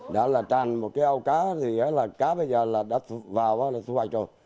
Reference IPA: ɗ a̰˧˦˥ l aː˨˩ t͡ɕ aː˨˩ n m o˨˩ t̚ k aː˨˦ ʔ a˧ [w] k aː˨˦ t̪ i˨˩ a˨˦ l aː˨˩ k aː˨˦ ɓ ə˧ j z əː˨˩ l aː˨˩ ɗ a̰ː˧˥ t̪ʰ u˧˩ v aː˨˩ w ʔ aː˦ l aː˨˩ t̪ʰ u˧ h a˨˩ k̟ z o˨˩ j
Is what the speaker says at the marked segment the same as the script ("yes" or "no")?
yes